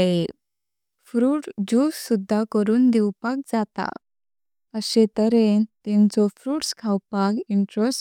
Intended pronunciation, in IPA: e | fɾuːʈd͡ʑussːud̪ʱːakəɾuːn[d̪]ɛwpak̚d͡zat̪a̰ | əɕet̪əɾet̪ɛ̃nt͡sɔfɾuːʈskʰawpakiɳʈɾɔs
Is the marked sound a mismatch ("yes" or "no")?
no